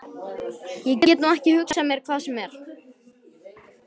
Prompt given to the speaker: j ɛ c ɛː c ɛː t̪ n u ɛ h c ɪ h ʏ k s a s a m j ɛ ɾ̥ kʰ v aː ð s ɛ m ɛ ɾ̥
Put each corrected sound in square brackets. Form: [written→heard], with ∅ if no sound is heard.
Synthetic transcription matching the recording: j ɛ c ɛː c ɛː t̪ n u ɛ h c ɪ h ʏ k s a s a m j ɛ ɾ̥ kʰ v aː ð s ɛ m ɛ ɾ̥